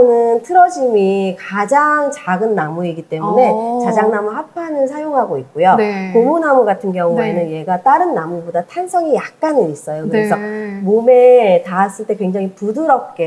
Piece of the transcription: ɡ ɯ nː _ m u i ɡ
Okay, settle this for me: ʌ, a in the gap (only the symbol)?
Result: a